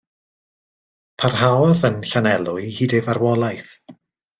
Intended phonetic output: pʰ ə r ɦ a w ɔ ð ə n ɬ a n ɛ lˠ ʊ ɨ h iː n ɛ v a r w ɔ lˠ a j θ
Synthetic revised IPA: pʰ a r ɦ a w ɔ ð ə n ɬ a n ɛ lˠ ʊ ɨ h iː d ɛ v a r w ɔ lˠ a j θ